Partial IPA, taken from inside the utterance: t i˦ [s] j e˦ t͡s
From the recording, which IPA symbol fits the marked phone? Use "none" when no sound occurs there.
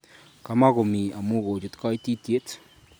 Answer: t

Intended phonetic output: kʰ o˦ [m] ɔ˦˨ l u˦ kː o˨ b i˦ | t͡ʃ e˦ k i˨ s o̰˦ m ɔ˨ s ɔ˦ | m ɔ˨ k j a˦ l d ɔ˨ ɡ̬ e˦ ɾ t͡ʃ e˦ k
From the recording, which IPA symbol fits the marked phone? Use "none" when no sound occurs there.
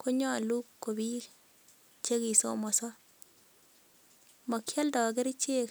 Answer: ɲ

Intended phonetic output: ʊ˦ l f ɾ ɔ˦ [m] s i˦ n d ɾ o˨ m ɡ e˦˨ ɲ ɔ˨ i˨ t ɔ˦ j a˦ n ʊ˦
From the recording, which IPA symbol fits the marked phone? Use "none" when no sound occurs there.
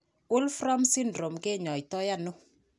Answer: m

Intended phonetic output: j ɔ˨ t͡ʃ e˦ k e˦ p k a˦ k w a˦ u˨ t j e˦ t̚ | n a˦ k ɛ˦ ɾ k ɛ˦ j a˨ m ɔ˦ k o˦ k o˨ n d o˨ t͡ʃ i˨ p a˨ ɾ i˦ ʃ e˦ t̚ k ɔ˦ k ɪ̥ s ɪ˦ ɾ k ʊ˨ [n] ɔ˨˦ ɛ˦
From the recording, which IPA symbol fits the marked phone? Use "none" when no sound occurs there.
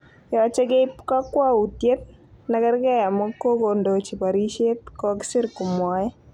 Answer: m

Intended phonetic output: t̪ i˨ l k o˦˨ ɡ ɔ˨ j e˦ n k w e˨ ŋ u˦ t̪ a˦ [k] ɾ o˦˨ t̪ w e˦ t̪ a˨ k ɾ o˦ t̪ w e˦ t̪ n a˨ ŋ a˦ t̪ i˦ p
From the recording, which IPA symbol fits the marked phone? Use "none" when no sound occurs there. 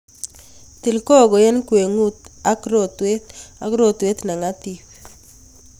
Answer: k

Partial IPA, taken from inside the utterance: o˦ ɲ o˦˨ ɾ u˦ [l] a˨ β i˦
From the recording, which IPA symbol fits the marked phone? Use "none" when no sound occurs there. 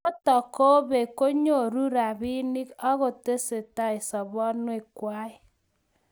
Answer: ɾ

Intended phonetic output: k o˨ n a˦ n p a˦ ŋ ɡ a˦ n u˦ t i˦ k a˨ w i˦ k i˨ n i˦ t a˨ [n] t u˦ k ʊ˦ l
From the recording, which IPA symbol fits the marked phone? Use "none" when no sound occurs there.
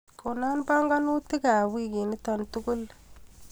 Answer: n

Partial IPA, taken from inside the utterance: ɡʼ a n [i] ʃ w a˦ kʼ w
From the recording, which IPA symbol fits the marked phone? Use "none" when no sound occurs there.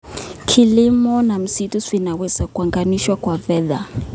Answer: i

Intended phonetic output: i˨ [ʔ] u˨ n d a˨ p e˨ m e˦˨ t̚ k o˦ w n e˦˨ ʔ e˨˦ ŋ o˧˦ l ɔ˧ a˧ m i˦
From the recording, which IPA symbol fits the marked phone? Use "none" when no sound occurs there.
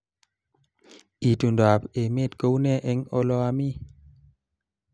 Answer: t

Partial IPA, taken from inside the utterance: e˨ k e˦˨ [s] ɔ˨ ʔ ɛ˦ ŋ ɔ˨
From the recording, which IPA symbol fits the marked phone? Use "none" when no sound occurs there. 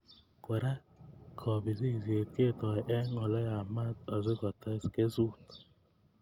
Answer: t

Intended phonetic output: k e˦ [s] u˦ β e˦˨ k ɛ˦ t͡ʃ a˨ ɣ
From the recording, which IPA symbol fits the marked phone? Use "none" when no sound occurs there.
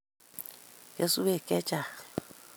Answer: s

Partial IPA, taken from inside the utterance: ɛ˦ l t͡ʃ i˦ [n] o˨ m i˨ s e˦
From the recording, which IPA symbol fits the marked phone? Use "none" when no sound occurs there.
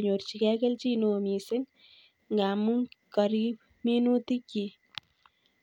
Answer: n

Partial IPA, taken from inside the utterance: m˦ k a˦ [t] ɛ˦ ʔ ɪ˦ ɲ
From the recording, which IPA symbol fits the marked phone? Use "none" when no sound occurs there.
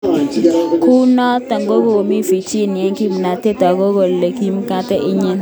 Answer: t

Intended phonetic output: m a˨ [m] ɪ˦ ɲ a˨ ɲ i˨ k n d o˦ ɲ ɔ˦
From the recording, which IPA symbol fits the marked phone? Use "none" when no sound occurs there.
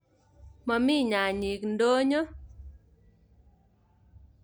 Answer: m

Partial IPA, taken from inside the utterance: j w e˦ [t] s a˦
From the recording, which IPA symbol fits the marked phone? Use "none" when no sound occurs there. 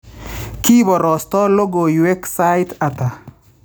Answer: k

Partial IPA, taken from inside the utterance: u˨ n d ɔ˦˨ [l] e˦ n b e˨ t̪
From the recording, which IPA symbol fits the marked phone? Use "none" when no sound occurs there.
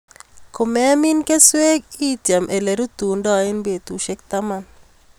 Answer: none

